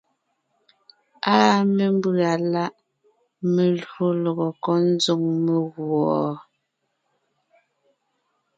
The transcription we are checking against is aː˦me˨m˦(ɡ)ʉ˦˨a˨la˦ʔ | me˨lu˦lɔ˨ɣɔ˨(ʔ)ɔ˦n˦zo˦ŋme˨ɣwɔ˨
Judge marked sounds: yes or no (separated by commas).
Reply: no, no